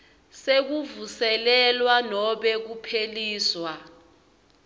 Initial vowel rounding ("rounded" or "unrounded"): unrounded